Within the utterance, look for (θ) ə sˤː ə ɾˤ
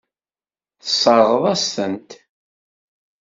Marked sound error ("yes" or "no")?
no